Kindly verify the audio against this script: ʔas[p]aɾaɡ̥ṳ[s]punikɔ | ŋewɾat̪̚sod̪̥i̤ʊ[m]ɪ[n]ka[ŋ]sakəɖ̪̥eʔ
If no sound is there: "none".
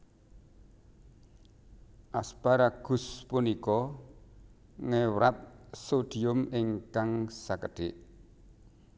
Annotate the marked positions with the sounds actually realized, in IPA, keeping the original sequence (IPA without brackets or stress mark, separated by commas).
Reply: p, s, m, ŋ, ŋ